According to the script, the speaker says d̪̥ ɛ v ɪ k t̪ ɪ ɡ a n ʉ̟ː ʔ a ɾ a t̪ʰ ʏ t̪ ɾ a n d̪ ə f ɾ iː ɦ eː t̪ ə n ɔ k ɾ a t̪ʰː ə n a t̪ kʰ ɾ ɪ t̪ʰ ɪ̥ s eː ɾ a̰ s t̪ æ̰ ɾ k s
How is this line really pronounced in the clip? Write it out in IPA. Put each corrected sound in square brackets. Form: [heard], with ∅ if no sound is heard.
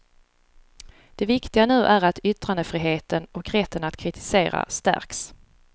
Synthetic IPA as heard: d̪̥ ɛ v ɪ k t̪ ɪ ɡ a n ʉ̟ː ʔ [æ] ɾ a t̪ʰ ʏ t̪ ɾ a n d̪ ə f ɾ iː ɦ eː t̪ ə n ɔ k ɾ [ɛ] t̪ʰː ə n a t̪ kʰ ɾ ɪ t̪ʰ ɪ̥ s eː ɾ a̰ s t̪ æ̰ ɾ k s